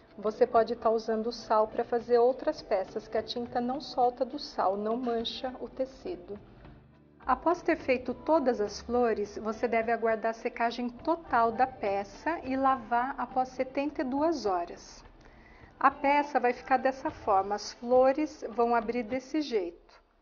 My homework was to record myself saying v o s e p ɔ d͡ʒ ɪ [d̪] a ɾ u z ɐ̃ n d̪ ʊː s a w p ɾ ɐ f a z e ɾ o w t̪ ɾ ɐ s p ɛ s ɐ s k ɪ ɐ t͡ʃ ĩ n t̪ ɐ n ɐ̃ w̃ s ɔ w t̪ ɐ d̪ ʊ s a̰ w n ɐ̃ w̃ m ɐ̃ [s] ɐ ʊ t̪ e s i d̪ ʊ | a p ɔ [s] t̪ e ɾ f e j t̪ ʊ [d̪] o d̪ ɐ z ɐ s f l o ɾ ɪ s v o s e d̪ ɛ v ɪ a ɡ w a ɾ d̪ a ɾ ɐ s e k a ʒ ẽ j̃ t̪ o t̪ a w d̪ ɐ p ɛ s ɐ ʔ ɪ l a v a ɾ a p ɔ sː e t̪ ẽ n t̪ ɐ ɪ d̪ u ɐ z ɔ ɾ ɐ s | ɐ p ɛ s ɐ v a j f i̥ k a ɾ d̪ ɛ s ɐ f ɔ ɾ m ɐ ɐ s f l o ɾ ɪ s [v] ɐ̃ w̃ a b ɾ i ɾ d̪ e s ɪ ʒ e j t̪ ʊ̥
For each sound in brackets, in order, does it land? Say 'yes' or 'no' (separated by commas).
no, no, yes, no, yes